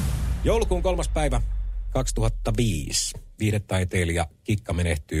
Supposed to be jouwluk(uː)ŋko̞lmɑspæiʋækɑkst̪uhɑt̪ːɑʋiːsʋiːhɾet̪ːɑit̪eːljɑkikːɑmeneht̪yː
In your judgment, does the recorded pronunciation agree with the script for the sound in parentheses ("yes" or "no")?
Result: yes